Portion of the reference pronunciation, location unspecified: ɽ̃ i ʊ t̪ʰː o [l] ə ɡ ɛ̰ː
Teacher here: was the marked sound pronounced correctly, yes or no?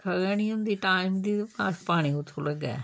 yes